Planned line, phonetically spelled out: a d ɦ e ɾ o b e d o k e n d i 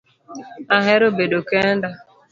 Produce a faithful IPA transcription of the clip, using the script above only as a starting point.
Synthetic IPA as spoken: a ɦ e ɾ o b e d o k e n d a